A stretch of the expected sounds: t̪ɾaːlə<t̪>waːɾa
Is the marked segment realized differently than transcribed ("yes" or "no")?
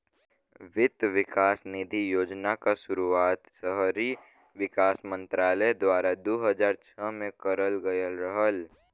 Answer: yes